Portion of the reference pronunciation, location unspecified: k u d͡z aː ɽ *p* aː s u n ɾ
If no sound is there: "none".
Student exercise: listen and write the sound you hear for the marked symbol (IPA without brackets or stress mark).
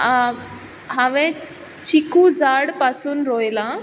p